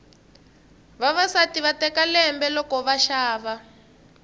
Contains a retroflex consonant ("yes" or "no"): no